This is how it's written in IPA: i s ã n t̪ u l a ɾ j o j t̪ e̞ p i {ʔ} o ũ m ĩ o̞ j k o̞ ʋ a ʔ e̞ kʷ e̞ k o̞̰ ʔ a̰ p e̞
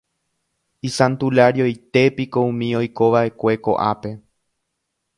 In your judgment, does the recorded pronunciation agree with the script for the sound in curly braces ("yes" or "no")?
no